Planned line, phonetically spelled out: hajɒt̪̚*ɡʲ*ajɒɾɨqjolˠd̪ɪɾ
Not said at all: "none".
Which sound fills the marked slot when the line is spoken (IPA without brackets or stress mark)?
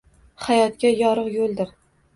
kʲ